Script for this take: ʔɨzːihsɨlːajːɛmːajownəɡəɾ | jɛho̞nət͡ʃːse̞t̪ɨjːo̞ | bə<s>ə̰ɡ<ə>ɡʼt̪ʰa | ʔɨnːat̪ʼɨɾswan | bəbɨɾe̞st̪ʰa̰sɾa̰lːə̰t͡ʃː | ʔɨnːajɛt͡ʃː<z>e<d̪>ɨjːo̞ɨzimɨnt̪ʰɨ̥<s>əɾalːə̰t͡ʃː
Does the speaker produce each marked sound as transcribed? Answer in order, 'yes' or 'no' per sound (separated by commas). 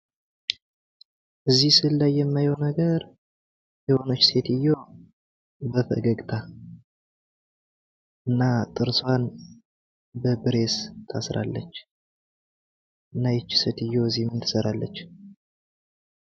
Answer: no, yes, no, no, yes